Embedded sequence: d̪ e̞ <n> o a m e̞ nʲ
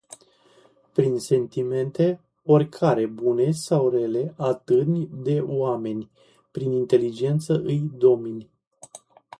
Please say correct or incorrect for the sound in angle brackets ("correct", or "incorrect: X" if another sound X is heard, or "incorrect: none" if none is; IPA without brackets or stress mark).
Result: incorrect: none